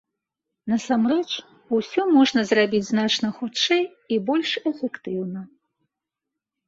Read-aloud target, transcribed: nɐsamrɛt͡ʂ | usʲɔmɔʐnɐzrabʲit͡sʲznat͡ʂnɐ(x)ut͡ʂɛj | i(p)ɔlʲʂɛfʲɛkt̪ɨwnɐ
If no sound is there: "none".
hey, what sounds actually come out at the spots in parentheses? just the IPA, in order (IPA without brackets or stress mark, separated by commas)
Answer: x, b